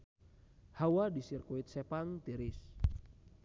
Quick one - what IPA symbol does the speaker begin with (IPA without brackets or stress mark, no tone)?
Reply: h